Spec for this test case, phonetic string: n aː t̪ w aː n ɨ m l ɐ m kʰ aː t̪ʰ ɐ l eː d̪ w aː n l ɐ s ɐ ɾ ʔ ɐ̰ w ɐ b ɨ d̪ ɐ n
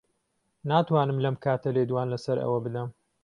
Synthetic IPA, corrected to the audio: n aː t̪ w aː n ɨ m l ɐ m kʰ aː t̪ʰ ɐ l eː d̪ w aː n l ɐ s ɐ ɾ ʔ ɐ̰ w ɐ b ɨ d̪ ɐ m